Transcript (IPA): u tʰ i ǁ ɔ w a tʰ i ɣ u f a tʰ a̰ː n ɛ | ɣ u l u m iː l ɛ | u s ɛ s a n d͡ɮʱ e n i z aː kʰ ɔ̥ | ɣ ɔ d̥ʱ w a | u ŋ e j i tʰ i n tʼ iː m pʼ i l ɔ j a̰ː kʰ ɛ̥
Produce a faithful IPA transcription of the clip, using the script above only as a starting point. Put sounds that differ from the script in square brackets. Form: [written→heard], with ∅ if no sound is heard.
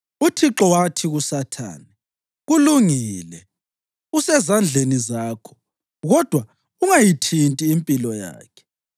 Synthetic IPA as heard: u tʰ i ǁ ɔ w a tʰ i ɣ u [f→s] a tʰ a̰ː n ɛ | ɣ u l u [m→ŋ] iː l ɛ | u s ɛ [s→z] a n d͡ɮʱ e n i z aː kʰ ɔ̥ | ɣ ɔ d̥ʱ w a | u ŋ [e→a] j i tʰ i n tʼ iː m pʼ i l ɔ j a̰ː kʰ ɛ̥